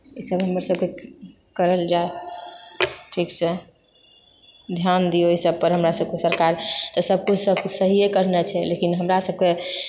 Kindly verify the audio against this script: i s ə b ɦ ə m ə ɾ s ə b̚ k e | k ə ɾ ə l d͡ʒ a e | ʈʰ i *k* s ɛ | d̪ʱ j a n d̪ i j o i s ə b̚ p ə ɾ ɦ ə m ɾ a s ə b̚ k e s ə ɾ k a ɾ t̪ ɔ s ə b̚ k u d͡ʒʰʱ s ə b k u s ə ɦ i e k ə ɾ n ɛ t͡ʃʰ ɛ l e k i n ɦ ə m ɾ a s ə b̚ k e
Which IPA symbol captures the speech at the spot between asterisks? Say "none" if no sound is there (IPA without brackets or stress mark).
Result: k